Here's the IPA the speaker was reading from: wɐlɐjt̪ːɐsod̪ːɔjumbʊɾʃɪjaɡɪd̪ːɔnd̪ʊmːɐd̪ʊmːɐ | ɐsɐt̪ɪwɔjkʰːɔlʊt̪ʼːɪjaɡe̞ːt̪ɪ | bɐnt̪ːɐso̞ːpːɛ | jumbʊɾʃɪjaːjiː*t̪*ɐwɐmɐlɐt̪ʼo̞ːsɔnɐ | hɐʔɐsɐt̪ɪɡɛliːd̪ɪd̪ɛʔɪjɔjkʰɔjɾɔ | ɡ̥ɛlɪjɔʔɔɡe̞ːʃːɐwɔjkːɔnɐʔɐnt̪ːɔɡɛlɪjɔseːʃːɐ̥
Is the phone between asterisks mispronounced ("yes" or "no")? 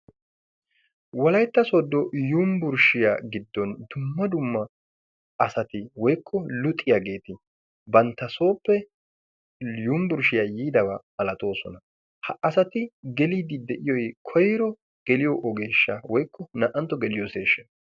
yes